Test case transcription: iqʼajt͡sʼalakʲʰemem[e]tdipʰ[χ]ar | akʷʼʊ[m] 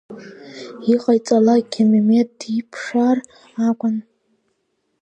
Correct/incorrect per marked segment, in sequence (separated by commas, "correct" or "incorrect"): correct, incorrect, incorrect